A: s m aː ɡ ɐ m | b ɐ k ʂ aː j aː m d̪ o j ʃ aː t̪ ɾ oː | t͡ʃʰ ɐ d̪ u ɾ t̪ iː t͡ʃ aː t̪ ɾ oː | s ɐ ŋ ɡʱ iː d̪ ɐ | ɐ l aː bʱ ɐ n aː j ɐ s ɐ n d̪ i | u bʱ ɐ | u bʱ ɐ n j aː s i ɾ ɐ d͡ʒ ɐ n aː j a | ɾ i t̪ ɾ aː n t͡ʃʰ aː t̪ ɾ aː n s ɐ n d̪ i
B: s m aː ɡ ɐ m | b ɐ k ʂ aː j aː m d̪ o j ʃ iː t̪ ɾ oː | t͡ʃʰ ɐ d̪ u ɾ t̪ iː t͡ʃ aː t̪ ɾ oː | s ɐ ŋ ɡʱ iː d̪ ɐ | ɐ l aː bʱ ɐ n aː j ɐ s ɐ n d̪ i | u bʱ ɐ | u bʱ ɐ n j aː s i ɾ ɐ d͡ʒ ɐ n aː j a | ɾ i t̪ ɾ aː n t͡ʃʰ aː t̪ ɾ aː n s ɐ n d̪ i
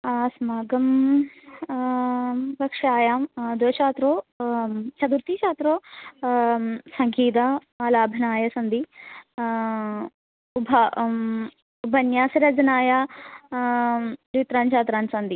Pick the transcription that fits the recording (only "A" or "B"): A